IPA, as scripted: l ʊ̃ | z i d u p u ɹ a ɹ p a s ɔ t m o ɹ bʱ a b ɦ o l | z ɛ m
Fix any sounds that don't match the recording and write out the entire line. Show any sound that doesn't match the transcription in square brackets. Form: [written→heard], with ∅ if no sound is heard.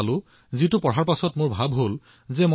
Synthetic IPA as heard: l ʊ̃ | z i [d→t] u p [u→ɔ] ɹ a ɹ p a s ɔ t m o ɹ bʱ a b ɦ o l | z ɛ m